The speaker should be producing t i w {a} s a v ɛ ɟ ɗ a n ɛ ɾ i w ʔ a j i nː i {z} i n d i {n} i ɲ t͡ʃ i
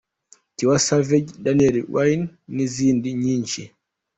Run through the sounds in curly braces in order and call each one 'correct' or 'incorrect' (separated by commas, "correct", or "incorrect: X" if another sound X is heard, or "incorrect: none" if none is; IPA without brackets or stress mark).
correct, correct, incorrect: ɲ